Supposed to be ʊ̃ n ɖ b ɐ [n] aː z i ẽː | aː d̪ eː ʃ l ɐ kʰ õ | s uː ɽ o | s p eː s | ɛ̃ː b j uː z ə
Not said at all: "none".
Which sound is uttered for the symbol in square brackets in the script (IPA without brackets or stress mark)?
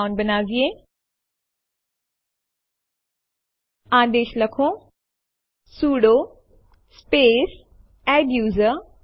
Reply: n